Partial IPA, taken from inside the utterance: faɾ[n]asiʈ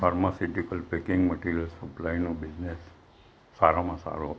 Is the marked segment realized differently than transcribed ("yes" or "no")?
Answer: yes